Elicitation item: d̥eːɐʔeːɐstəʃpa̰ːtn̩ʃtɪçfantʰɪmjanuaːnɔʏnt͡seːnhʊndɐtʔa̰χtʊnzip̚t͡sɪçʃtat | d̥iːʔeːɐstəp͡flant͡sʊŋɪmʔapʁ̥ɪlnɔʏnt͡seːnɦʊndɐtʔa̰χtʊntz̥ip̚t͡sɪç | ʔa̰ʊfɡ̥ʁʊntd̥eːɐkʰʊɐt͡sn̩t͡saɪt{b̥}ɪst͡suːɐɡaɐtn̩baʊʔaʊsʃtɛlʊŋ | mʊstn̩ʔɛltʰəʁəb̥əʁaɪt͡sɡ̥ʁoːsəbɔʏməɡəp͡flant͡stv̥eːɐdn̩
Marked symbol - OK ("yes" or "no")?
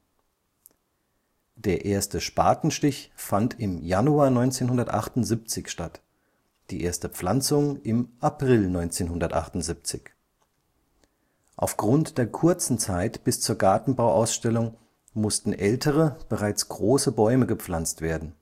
yes